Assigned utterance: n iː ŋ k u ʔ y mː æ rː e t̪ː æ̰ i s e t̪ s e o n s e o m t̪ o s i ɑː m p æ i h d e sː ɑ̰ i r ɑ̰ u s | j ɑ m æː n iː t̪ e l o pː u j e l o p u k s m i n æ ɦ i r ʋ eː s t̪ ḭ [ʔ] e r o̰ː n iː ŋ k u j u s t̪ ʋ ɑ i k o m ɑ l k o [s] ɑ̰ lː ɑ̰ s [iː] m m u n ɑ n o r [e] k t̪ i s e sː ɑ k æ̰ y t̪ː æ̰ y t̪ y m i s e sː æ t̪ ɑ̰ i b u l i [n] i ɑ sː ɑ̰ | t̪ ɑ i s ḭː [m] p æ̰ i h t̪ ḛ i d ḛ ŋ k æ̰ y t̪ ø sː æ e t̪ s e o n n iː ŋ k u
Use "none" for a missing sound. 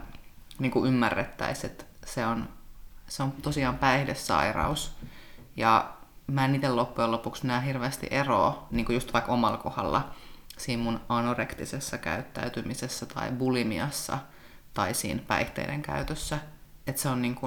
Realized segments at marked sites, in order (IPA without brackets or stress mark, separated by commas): ʔ, h, iː, e, m, n